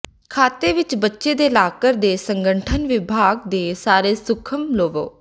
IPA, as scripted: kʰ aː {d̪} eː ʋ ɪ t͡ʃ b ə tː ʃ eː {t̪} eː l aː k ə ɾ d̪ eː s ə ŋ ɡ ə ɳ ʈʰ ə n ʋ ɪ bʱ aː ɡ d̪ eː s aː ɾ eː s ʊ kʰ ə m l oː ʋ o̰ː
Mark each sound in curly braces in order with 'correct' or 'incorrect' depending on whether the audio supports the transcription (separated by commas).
incorrect, incorrect